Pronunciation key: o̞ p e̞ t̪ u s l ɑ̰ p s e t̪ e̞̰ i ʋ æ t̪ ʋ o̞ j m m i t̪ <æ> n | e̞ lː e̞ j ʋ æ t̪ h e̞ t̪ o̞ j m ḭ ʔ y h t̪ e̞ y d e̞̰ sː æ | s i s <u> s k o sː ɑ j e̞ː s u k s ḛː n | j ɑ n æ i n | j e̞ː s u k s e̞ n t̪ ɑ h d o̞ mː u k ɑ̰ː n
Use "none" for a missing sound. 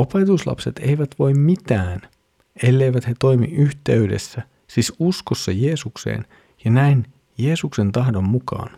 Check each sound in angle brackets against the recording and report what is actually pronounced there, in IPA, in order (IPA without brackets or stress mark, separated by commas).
æː, u